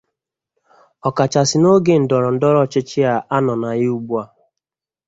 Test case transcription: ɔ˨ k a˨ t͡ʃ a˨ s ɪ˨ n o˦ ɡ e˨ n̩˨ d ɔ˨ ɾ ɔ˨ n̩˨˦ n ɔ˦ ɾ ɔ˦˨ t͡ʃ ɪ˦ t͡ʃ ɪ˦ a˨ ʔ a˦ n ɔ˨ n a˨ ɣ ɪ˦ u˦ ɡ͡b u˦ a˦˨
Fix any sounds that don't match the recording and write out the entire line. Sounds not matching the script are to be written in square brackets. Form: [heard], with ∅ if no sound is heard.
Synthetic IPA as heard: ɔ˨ k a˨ t͡ʃ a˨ s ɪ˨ n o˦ ɡ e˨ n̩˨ d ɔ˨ ɾ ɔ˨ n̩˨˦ [d] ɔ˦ ɾ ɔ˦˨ t͡ʃ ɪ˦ t͡ʃ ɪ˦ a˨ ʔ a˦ n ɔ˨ n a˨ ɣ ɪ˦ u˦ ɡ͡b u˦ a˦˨